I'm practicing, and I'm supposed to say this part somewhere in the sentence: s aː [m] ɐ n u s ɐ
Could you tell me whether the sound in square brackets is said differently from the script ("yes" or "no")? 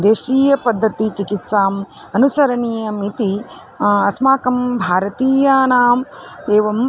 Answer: no